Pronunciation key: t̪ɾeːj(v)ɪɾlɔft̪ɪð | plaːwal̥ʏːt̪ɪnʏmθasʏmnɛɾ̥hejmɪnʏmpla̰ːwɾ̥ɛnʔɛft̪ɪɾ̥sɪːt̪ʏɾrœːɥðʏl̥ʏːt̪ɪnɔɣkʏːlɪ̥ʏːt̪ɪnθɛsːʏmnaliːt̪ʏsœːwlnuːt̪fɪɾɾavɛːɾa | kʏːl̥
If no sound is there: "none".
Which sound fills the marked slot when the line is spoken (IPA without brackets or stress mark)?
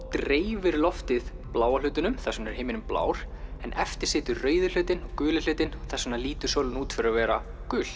v